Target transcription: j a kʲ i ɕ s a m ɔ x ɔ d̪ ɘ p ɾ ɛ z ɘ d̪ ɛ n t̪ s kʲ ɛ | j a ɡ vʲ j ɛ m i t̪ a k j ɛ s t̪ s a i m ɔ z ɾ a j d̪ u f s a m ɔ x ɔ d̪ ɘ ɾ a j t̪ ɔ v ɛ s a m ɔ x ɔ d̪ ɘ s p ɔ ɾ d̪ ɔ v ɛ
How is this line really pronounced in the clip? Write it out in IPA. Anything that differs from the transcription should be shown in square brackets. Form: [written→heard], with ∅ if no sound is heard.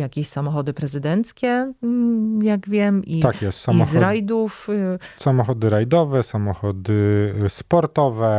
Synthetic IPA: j a kʲ [i→e] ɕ s a m ɔ x ɔ d̪ ɘ p ɾ ɛ z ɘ d̪ ɛ n t̪ s kʲ ɛ | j a ɡ vʲ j ɛ m i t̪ a k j ɛ s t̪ s a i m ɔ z ɾ a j d̪ u f s a m ɔ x ɔ d̪ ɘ ɾ a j [t̪→d̪] ɔ v ɛ s a m ɔ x ɔ d̪ ɘ s p ɔ ɾ [d̪→t̪] ɔ v ɛ